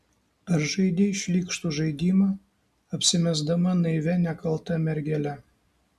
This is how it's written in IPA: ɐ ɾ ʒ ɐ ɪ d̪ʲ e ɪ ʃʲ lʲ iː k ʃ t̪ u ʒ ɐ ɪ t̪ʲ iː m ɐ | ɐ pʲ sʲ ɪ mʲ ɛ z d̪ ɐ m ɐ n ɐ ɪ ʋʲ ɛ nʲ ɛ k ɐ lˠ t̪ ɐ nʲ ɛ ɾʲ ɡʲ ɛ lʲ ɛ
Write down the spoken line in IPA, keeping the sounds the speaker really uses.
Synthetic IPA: ɐ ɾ ʒ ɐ ɪ d̪ʲ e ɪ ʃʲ lʲ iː k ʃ t̪ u ʒ ɐ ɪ d̪ʲ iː m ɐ | ɐ pʲ sʲ ɪ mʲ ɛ z d̪ ɐ m ɐ n ɐ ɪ ʋʲ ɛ nʲ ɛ k ɐ lˠ t̪ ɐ mʲ ɛ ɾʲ ɡʲ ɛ lʲ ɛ

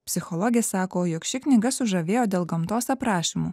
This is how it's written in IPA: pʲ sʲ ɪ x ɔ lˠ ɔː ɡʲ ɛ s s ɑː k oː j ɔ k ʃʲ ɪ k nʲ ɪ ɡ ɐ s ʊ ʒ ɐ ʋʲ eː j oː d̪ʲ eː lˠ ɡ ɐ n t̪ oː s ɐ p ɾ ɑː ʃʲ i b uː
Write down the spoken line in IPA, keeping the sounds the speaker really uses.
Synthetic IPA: pʲ sʲ ɪ x ɔ lˠ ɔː ɡʲ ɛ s s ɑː k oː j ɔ k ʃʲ ɪ k nʲ ɪ ɡ ɐ s ʊ ʒ ɐ ʋʲ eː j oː d̪ʲ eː lˠ ɡ ɐ m t̪ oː s ɐ p ɾ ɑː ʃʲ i m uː

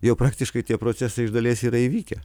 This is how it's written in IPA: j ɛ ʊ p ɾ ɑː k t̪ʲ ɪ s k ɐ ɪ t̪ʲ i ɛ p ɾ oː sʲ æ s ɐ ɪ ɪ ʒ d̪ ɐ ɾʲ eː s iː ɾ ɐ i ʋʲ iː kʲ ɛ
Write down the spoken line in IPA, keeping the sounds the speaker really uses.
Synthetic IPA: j ɛ ʊ p ɾ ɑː k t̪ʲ ɪ ʃ k ɐ ɪ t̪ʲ i ɛ p ɾ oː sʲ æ s ɐ ɪ ɪ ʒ d̪ ɐ lʲ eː s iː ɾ ɐ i ʋʲ iː kʲ ɛ

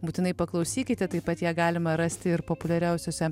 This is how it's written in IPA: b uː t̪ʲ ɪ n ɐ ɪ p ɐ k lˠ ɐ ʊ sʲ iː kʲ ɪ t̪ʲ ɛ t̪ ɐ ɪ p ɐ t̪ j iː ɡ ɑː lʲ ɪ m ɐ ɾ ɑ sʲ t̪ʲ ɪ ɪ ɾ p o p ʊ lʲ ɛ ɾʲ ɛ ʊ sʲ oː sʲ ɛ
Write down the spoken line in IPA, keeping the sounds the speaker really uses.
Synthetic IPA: b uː t̪ʲ ɪ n ɐ ɪ p ɐ k lˠ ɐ ʊ sʲ iː kʲ ɪ t̪ʲ ɛ t̪ ɐ ɪ p ɐ t̪ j æː ɡ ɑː lʲ ɪ m ɐ ɾ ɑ sʲ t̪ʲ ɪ ɪ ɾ p o p ʊ lʲ ɛ ɾʲ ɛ ʊ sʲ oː sʲ ɛ

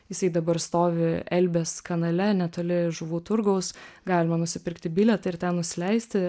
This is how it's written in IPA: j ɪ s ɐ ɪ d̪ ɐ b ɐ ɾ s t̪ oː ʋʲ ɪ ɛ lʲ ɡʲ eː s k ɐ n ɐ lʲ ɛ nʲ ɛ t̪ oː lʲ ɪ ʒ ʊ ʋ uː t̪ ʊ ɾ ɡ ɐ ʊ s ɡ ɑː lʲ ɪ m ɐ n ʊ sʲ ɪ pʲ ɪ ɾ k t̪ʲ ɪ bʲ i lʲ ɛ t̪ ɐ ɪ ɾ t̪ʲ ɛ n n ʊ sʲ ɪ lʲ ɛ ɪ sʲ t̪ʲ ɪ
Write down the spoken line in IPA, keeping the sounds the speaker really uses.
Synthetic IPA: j ɪ s ɐ ɪ d̪ ɐ b ɐ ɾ s t̪ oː ʋʲ ɪ ɛ lʲ bʲ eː s k ɐ n ɐ lʲ ɛ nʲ ɛ t̪ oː lʲ ɪ ʒ ʊ ʋ uː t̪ ʊ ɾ ɡ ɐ ʊ s ɡ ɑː lʲ ɪ m ɐ n ʊ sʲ ɪ pʲ ɪ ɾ k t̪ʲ ɪ bʲ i lʲ ɛ t̪ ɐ ɪ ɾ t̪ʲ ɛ n n ʊ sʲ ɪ lʲ ɛ ɪ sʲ t̪ʲ ɪ

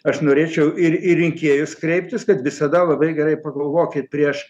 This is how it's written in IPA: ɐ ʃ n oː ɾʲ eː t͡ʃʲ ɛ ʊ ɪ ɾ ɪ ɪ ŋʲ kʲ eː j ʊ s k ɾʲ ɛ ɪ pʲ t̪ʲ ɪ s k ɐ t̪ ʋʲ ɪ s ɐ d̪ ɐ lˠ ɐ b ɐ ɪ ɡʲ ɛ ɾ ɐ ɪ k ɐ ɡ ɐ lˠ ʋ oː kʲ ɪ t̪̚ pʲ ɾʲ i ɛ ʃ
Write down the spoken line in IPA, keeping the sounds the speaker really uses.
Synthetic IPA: ɐ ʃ n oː ɾʲ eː t͡ʃʲ ɛ ʊ ɪ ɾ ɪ ɪ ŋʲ kʲ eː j ʊ s k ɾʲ ɛ ɪ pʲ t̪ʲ ɪ s k ɐ t̪ ʋʲ ɪ s ɐ d̪ ɐ lˠ ɐ b ɐ ɪ ɡʲ ɛ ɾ ɐ ɪ p ɐ ɡ ɐ lˠ ʋ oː kʲ ɪ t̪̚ pʲ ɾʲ i ɛ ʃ

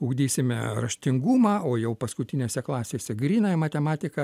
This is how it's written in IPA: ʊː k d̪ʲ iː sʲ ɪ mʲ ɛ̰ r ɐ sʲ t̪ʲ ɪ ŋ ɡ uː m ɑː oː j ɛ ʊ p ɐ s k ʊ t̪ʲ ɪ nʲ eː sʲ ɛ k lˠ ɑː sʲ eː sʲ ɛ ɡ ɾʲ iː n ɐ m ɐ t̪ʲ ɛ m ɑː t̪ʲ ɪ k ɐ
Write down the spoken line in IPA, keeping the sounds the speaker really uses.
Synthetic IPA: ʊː ɡ d̪ʲ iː sʲ ɪ mʲ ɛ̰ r ɐ ʃʲ t̪ʲ ɪ ŋ ɡ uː m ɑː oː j ɛ ʊ p ɐ s k ʊ t̪ʲ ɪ nʲ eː sʲ ɛ k lˠ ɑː sʲ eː sʲ ɛ ɡ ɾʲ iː n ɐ m ɐ t̪ʲ ɛ m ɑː t̪ʲ ɪ k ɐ

